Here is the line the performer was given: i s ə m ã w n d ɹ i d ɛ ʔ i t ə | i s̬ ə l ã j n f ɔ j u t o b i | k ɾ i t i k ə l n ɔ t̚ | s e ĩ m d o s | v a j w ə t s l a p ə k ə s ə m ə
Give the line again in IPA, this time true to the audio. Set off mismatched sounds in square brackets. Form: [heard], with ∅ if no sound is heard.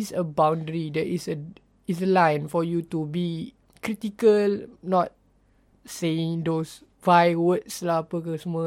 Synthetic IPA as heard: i s ə [b] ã w n d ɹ i d ɛ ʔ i [s] ə | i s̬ ə l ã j n f ɔ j u t [u] b i | k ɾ i t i k ə l n ɔ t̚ | s e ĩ [ŋ] d o s | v a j w ə t s l a p ə k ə s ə m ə